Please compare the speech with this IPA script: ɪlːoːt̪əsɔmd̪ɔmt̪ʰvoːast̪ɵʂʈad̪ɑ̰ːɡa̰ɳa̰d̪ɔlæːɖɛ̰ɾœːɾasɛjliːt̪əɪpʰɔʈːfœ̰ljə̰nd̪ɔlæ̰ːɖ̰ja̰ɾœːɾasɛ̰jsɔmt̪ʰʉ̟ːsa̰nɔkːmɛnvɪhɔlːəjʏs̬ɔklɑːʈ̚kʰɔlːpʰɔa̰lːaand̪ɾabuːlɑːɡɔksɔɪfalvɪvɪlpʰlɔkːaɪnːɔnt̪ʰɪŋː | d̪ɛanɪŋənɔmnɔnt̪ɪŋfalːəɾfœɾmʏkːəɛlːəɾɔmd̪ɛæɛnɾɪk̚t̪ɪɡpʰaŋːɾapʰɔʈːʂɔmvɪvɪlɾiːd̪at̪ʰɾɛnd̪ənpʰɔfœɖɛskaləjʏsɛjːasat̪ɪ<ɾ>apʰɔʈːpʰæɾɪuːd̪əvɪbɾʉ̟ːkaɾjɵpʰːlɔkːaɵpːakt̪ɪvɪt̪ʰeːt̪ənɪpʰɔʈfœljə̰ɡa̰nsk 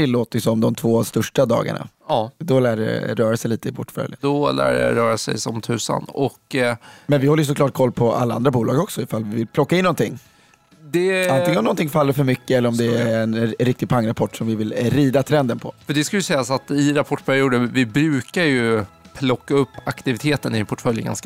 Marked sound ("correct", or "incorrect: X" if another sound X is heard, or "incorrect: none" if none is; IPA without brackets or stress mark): correct